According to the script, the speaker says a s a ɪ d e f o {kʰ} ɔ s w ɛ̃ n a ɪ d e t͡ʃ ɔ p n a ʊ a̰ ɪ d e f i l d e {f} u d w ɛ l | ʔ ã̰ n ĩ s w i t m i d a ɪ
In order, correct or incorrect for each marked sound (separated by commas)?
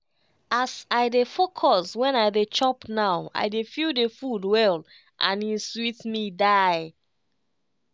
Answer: correct, correct